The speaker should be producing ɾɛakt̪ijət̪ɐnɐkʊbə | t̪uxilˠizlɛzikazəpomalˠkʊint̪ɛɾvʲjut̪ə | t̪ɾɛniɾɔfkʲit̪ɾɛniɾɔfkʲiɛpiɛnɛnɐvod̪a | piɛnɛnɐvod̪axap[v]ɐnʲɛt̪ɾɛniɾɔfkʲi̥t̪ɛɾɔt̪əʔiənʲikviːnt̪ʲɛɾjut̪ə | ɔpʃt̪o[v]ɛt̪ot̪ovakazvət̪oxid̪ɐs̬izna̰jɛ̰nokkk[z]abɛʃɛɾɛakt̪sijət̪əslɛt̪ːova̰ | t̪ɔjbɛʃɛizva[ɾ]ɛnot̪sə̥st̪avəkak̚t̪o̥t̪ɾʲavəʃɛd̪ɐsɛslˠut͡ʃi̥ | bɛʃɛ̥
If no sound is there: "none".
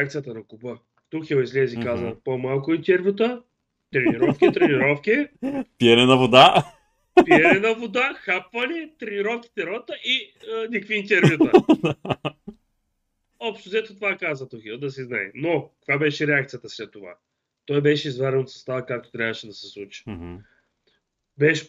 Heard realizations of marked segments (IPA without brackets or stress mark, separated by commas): v, z, v, ɾ